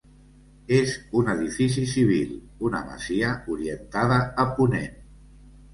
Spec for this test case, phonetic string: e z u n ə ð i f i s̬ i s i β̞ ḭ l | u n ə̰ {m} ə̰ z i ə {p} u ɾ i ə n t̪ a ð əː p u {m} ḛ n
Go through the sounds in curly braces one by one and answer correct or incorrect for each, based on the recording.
correct, incorrect, incorrect

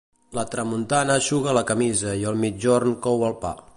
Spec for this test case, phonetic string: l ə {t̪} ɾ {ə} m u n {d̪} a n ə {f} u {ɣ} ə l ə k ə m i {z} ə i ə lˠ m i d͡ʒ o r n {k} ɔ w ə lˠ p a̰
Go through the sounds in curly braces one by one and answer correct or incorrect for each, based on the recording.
correct, correct, incorrect, incorrect, correct, correct, correct

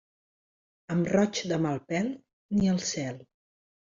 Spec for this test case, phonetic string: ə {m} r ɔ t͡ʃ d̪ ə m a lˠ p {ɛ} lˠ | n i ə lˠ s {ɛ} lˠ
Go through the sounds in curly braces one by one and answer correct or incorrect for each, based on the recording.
correct, correct, correct

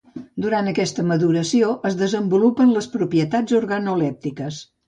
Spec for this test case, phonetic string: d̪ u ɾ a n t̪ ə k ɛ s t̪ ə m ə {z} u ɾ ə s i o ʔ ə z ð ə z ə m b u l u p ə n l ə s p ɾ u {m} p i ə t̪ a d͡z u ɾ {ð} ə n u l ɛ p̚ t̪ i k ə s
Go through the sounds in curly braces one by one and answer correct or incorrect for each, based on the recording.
incorrect, incorrect, incorrect

